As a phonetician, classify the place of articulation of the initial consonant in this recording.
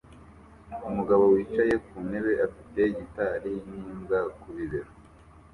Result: labial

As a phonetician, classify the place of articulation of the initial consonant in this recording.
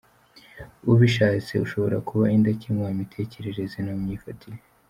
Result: labial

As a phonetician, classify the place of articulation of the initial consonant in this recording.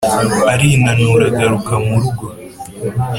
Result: alveolar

